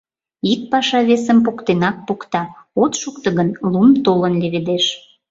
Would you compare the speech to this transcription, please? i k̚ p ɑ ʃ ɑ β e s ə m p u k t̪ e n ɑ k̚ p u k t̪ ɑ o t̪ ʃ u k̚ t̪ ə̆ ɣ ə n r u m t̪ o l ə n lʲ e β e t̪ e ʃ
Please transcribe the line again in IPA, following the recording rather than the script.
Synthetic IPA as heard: i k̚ p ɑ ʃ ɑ β e s ə m p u k t̪ e n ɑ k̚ p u k t̪ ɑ o t̪ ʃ u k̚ t̪ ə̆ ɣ ə n l u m t̪ o l ə n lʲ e β e d̪ e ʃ